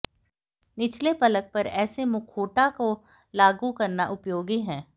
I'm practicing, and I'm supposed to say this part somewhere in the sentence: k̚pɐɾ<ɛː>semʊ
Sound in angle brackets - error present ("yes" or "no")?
no